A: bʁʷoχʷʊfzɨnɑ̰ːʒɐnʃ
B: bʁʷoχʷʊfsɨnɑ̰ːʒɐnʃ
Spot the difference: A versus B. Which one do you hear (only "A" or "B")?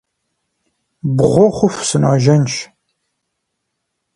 B